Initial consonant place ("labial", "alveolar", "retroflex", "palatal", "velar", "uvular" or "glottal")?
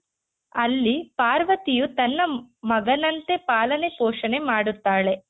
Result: alveolar